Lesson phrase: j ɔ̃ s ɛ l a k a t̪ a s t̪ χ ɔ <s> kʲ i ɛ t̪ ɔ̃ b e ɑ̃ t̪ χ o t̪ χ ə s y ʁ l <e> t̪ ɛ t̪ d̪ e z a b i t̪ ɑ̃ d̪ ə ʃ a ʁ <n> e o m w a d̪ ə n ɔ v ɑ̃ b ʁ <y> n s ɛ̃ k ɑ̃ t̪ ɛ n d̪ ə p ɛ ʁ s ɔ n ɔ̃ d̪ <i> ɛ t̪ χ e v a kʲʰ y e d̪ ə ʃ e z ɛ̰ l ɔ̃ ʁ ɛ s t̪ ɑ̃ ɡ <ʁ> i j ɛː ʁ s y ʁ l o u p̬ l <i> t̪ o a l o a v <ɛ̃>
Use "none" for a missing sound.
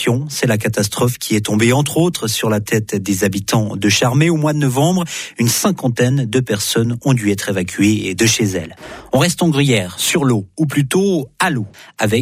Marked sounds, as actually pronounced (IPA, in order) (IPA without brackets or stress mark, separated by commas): f, a, m, y, y, ʁ, y, ɛ